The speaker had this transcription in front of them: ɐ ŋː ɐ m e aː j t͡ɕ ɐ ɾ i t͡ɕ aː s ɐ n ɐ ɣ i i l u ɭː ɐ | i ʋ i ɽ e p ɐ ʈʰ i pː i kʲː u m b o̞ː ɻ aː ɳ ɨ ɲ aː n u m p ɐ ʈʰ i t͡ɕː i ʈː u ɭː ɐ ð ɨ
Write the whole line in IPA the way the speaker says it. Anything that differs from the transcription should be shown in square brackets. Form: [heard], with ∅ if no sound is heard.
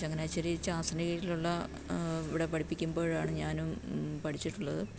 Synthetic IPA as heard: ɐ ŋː ɐ [n] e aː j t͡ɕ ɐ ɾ i t͡ɕ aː s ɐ n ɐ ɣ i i l u ɭː ɐ | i ʋ i ɽ e p ɐ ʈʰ i pː i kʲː u m b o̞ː ɻ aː ɳ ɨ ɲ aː n u m p ɐ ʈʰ i t͡ɕː i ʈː u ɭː ɐ ð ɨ